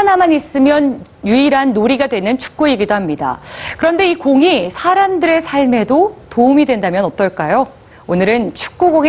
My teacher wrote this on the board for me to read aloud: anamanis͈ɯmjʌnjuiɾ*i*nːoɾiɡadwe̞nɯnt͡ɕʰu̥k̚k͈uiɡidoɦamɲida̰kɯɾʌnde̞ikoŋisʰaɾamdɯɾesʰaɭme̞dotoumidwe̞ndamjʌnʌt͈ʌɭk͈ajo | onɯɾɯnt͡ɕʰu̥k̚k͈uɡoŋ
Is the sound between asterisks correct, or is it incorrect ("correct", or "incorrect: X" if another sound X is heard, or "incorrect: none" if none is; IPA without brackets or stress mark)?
incorrect: a